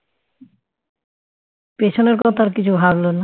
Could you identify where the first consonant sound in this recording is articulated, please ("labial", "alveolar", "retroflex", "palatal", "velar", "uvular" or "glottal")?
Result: labial